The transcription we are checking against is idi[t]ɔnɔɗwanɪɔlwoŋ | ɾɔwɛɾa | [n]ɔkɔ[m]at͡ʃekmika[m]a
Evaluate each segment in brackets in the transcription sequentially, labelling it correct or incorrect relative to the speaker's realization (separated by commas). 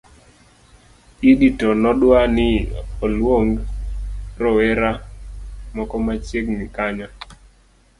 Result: correct, incorrect, correct, incorrect